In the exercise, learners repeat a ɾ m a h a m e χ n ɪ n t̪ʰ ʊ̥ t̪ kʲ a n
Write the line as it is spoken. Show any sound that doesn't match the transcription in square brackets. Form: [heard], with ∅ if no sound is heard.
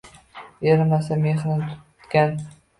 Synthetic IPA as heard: [e] ɾ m a [s] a m e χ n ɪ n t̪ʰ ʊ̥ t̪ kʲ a n

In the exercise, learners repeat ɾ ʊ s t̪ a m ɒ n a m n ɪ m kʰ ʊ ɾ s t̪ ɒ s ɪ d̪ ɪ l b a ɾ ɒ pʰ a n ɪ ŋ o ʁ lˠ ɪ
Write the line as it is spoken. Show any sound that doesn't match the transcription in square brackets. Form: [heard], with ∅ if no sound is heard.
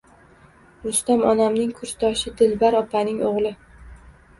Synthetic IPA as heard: ɾ ʊ s t̪ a m ɒ n a m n ɪ [ŋ] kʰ ʊ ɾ s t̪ ɒ [ʃ] ɪ d̪ ɪ l b a ɾ ɒ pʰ a n ɪ ŋ o ʁ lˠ ɪ

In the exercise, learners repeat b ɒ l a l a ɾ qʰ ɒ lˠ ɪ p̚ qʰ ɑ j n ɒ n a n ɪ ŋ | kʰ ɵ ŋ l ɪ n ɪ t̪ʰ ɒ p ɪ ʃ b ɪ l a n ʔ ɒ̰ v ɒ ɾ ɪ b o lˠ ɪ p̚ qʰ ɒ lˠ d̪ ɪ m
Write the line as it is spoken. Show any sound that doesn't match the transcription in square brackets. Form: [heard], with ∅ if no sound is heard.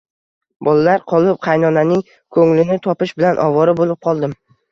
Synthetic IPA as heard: b ɒ l a l a ɾ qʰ ɒ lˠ ɪ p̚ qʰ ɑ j n ɒ n a n ɪ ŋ | kʰ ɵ ŋ l ɪ n ɪ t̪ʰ ɒ p ɪ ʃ b ɪ l a n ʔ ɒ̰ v ɒ ɾ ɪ b o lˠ ɪ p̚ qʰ ɒ lˠ d̪ ɪ m

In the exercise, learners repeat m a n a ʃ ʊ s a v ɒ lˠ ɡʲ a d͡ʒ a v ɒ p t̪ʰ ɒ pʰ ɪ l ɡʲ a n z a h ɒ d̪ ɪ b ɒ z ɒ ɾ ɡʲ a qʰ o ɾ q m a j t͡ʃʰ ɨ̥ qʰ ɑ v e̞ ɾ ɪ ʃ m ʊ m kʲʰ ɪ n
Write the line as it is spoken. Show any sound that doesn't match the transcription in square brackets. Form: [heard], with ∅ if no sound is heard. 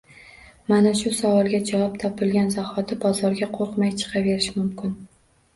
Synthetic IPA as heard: m a n a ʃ ʊ s a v ɒ lˠ ɡʲ a d͡ʒ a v ɒ p t̪ʰ ɒ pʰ ɪ l ɡʲ a n z a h ɒ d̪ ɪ b ɒ z ɒ ɾ ɡʲ a qʰ o ɾ q m a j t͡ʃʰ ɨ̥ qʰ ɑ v e̞ ɾ ɪ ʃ m ʊ m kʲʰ ɪ n

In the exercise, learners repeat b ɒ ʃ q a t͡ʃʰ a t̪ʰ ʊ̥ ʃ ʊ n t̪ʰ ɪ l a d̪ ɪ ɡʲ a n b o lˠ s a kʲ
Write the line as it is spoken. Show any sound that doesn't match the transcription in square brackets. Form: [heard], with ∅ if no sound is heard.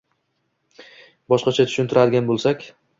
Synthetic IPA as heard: b ɒ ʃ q [ɑ] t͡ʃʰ a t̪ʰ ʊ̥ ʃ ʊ n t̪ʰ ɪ [ɾ] a d̪ ɪ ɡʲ a n b o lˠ s a kʲ

